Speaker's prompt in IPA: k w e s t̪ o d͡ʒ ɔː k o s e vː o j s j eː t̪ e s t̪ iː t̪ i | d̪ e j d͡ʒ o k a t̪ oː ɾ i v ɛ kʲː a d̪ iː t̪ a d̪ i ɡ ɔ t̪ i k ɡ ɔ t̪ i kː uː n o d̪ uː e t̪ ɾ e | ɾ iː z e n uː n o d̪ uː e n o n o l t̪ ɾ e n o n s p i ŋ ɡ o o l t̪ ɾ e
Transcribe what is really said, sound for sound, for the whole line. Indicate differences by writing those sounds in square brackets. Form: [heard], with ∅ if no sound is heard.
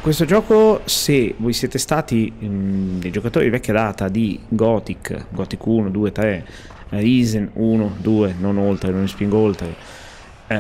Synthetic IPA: k w e s t̪ o d͡ʒ ɔː k o s e [v] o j s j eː t̪ e s t̪ [aː] t̪ i | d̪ e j d͡ʒ o k a t̪ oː ɾ i v ɛ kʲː a d̪ [aː] t̪ a d̪ i ɡ ɔ t̪ i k ɡ ɔ t̪ i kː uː n o d̪ uː e t̪ ɾ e | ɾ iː z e n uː n o d̪ uː e n o n o l t̪ ɾ e n o n s p i ŋ ɡ o o l t̪ ɾ e